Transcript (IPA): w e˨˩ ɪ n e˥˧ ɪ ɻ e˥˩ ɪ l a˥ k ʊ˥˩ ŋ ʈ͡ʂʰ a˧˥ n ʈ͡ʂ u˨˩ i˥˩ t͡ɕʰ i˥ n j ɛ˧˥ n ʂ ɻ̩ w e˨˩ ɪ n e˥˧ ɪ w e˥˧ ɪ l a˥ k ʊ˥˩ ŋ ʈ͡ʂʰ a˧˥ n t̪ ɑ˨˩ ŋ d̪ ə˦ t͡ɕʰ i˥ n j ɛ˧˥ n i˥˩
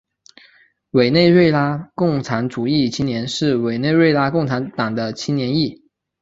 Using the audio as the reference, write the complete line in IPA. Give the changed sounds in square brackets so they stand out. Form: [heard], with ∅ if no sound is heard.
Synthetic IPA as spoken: w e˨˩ ɪ n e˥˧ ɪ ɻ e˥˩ ɪ l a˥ k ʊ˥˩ ŋ ʈ͡ʂʰ a˧˥ n ʈ͡ʂ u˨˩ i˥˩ t͡ɕʰ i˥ n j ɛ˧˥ n ʂ ɻ̩ w e˨˩ ɪ n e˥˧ ɪ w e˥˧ ɪ l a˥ k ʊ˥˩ ŋ ʈ͡ʂʰ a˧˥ n t̪ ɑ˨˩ ŋ d̪ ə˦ t͡ɕʰ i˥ n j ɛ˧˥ n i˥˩